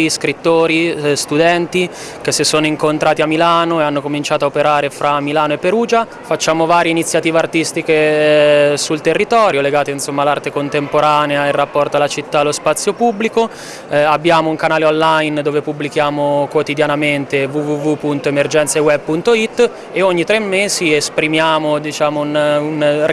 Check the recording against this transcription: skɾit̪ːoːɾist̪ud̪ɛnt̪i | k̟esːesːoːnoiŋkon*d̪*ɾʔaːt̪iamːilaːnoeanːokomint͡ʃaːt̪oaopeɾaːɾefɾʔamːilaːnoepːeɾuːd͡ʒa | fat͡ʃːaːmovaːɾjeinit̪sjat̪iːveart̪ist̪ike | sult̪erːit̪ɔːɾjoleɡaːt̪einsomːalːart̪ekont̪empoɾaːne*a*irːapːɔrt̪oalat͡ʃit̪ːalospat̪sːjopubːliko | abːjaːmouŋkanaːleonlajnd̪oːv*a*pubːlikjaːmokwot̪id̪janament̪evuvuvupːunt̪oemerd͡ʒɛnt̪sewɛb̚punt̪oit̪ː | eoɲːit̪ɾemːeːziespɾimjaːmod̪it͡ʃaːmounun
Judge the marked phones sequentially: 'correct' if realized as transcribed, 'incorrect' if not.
incorrect, correct, incorrect

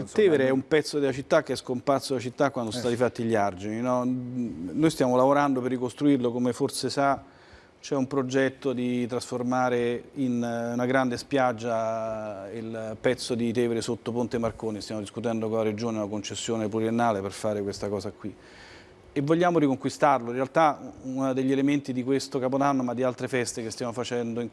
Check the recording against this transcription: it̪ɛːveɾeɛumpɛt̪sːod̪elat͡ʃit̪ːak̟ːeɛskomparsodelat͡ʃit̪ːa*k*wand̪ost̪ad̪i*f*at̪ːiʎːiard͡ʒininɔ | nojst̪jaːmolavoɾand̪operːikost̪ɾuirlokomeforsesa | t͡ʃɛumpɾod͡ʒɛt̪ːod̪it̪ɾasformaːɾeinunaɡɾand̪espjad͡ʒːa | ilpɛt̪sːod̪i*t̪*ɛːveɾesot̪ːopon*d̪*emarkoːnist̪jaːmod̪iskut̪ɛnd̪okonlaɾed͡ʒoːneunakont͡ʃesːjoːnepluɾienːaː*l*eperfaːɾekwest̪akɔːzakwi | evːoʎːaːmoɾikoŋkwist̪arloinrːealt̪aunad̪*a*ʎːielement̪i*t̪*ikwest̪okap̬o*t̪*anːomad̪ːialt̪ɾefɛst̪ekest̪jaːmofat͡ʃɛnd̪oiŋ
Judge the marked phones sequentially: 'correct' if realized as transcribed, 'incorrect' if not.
correct, correct, correct, incorrect, correct, incorrect, incorrect, incorrect

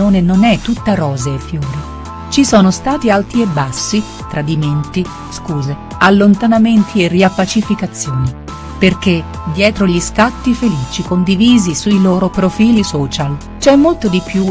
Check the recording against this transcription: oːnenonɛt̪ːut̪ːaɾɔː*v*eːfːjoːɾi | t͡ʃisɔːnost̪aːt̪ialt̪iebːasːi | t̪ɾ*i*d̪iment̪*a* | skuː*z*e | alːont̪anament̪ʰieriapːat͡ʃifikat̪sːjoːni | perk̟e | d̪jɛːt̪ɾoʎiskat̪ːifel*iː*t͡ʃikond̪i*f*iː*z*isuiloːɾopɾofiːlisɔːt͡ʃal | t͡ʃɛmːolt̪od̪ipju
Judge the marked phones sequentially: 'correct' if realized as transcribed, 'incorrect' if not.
incorrect, incorrect, incorrect, correct, correct, incorrect, correct

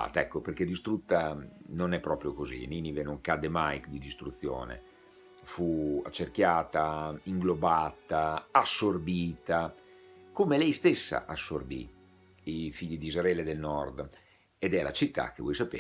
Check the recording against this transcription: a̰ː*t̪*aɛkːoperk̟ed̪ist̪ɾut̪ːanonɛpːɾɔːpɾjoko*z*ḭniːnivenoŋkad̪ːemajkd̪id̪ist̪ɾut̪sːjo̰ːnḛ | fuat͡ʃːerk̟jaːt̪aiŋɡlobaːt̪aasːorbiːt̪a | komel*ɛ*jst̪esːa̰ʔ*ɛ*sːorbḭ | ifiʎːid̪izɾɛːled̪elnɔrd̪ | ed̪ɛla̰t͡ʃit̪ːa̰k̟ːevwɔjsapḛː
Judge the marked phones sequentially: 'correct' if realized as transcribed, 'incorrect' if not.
correct, correct, correct, incorrect

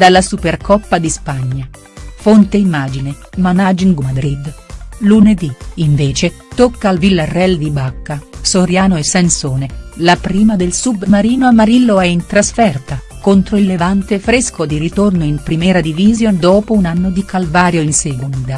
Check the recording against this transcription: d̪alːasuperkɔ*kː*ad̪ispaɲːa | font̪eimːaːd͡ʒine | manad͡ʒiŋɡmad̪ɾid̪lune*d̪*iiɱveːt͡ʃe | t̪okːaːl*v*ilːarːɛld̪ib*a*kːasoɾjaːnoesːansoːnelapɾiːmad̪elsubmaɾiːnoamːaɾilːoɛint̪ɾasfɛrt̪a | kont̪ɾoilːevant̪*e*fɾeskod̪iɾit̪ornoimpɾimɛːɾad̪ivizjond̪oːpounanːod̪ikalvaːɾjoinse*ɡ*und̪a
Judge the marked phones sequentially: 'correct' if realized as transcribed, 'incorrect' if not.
incorrect, correct, correct, correct, correct, correct

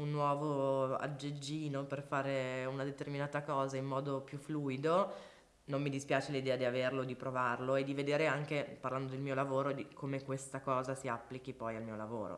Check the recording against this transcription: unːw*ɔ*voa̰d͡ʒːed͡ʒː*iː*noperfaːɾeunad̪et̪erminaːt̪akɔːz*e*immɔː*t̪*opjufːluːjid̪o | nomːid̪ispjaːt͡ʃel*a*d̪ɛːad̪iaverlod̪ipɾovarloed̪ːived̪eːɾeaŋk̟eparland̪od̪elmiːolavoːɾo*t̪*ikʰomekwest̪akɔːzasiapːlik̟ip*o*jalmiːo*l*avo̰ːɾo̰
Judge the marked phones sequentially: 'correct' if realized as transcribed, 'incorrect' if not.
incorrect, correct, incorrect, incorrect, incorrect, incorrect, incorrect, correct

